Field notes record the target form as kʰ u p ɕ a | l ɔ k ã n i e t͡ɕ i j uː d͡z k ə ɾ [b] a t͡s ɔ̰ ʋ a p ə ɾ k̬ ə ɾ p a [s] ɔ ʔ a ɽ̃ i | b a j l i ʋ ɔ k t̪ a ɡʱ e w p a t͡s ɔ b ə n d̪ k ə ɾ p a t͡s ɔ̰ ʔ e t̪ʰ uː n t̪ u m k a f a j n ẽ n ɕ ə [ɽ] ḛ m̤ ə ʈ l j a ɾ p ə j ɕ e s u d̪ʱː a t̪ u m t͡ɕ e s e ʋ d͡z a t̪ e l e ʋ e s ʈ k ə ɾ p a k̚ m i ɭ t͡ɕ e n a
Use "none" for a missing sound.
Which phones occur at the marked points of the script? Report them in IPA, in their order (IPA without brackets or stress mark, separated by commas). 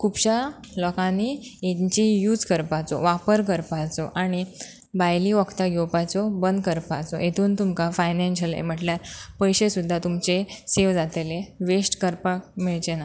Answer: p, t͡s, l